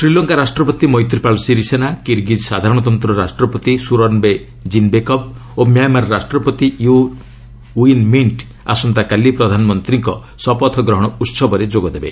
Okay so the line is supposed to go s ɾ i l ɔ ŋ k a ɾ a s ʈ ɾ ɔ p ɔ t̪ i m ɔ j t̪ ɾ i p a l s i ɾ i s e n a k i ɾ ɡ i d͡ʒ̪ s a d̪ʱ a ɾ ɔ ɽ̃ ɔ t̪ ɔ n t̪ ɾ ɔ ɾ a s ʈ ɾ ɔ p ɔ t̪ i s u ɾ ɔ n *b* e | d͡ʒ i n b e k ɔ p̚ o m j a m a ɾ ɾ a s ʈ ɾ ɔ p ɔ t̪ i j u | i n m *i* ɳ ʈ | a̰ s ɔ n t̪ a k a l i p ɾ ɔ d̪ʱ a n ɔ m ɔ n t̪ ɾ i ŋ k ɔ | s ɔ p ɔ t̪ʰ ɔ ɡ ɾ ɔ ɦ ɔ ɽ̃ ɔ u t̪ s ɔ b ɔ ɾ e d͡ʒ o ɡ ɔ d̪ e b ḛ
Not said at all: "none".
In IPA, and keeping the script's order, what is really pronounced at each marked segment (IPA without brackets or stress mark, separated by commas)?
b, i